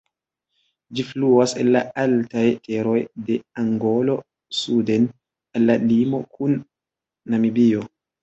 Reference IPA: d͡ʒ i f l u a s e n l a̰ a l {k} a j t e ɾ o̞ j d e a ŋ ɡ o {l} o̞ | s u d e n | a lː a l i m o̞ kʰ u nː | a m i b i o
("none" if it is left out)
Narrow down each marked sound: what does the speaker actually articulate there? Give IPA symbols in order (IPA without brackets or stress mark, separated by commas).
t, l